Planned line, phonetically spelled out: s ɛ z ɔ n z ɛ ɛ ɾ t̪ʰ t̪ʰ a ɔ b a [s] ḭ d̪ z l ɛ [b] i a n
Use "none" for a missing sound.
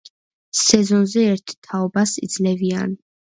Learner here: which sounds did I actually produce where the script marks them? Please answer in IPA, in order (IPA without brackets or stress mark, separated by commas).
s, v